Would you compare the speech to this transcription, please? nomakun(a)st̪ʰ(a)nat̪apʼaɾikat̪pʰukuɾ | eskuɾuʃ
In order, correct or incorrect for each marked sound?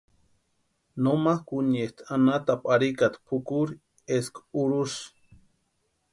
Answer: incorrect, correct

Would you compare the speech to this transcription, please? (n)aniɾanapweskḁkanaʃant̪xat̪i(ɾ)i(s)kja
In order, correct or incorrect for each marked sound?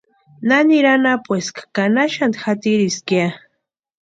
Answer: correct, correct, correct

